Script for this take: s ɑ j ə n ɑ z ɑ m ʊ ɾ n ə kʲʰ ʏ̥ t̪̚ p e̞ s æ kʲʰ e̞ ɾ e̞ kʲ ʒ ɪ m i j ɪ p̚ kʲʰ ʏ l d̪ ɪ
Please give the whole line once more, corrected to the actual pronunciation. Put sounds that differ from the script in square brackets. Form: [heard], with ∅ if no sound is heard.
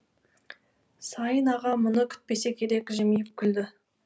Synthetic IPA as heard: s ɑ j ə n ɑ [ʁ] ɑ m ʊ [∅] n ə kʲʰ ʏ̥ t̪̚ p e̞ s [e] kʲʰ e̞ ɾ e̞ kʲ ʒ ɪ m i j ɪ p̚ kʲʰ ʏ l d̪ ɪ